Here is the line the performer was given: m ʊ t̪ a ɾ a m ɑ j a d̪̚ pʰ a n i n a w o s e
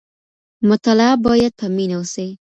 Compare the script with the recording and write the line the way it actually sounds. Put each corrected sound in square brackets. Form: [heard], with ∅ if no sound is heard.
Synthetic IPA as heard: m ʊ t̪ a [l] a [b] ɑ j a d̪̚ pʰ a [m] i n a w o s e